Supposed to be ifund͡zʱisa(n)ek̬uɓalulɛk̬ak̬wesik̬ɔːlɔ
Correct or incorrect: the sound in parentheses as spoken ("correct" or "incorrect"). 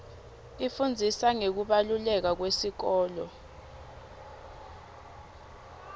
incorrect